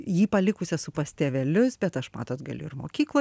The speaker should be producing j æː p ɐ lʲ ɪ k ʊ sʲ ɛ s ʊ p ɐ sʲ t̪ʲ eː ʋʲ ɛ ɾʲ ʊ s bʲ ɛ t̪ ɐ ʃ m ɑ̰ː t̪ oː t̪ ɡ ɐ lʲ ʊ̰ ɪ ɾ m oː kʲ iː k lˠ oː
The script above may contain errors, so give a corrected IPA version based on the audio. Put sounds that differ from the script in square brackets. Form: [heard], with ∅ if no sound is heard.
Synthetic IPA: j [iː] p ɐ lʲ ɪ k ʊ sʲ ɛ s ʊ p ɐ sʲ t̪ʲ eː ʋʲ ɛ [lʲ] ʊ s bʲ ɛ t̪ ɐ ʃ m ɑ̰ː t̪ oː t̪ ɡ ɐ lʲ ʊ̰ ɪ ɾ m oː kʲ iː k lˠ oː